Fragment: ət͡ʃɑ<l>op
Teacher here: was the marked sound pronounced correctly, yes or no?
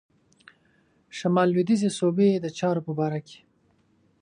no